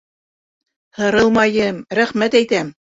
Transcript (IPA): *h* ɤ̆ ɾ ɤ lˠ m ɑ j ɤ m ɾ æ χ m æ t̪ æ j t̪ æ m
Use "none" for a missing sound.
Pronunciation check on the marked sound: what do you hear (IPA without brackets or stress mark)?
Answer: h